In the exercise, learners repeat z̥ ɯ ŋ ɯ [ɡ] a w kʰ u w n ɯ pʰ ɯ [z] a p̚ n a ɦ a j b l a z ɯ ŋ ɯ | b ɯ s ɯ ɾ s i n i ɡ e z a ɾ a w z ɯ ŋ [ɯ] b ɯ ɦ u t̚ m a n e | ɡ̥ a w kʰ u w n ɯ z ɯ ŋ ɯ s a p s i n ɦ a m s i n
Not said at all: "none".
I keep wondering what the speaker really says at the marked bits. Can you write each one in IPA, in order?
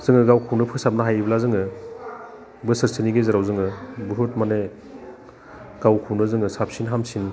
ɡ, s, ɯ

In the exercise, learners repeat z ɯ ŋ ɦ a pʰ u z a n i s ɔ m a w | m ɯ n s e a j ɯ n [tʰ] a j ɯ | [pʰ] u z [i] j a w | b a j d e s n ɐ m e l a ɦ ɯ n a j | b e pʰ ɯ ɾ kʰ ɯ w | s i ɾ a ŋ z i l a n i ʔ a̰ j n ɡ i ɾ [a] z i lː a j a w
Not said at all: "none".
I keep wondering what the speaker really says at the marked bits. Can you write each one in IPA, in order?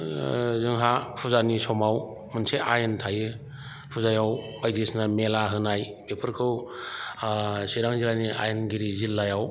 tʰ, pʰ, a, i

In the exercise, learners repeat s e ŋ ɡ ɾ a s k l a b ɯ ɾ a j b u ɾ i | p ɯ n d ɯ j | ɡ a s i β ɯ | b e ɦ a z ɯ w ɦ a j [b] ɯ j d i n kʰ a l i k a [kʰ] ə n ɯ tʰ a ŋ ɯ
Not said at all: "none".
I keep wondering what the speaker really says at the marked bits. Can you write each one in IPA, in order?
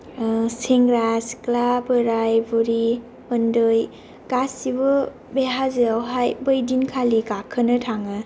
b, kʰ

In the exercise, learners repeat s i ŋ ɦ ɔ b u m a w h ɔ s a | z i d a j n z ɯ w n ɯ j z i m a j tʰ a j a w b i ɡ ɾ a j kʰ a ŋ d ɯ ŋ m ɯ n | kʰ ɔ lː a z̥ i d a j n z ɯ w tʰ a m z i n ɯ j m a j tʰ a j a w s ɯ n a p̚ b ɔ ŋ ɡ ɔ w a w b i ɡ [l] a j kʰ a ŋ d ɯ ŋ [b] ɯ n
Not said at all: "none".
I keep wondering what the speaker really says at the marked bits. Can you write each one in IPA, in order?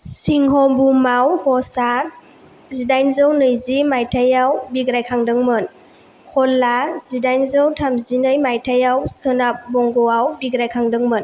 ɾ, m

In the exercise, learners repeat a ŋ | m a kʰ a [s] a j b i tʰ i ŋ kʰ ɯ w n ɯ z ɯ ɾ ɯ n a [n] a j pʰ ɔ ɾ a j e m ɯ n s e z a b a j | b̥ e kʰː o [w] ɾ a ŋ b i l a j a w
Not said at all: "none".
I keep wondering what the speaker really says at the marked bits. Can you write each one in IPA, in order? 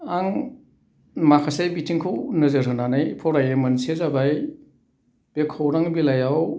s, n, w

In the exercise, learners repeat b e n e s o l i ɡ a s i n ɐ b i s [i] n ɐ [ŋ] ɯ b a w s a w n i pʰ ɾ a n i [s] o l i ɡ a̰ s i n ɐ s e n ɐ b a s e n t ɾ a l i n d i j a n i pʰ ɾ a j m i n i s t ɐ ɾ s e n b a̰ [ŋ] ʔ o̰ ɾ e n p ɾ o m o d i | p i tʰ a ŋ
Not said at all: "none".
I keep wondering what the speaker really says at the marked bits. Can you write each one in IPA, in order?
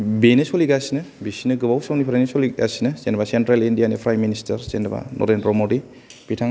i, ɡ, s, n

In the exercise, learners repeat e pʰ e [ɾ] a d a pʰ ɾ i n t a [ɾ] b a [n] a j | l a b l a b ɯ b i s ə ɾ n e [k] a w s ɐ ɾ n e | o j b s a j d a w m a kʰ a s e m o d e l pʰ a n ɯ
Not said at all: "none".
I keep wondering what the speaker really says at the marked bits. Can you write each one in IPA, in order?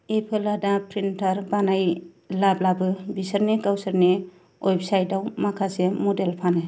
l, ɾ, n, k

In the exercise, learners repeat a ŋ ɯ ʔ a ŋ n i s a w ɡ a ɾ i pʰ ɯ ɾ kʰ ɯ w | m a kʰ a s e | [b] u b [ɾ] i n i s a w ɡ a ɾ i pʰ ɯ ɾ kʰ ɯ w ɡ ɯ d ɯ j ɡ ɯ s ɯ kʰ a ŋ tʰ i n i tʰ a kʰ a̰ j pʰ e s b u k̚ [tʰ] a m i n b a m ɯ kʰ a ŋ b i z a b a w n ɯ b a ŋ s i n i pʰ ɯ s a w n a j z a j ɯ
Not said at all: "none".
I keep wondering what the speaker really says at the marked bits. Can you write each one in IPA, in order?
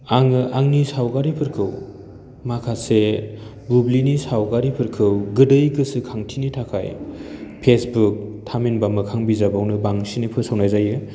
b, l, tʰ

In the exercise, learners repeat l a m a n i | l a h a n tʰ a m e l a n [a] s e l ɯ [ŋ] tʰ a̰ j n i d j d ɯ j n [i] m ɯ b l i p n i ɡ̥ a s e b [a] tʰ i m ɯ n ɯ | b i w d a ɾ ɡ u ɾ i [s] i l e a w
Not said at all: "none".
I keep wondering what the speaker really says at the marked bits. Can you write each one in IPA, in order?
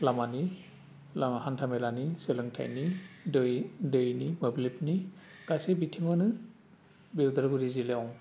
i, ŋ, i, i, z

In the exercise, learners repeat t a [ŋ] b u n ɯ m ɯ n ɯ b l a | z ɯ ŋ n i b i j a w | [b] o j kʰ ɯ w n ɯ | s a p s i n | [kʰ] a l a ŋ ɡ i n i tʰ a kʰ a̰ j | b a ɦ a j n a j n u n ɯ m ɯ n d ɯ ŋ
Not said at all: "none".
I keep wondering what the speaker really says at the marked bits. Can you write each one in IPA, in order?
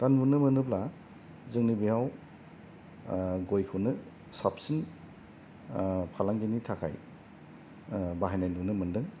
n, ɡ, pʰ

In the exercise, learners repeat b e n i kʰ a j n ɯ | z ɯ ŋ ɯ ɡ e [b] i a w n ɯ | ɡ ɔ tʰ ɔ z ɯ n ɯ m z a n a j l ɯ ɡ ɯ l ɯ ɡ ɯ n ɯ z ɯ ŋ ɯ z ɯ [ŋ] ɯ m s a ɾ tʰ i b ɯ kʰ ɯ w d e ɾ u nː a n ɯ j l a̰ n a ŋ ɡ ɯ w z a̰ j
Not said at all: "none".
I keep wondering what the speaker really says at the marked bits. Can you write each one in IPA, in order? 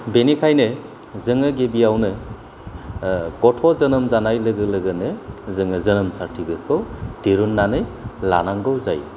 b, n

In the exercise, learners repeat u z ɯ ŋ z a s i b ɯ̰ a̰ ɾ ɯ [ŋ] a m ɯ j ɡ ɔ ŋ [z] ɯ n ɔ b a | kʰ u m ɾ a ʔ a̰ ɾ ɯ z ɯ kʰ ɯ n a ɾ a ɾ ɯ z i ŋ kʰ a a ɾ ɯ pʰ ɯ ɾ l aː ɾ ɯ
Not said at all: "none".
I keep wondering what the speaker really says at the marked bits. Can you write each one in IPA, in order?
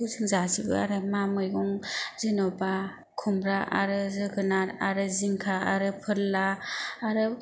m, z

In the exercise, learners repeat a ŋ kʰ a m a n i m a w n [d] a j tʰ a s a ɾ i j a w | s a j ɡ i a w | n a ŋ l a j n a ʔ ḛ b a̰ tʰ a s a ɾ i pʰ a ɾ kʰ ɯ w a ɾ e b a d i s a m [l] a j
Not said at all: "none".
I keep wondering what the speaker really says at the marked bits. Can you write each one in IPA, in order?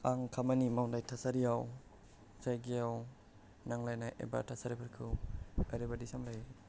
d, l

